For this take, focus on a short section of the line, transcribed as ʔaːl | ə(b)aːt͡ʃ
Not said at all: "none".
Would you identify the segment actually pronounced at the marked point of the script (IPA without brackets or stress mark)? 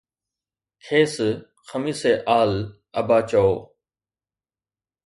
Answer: b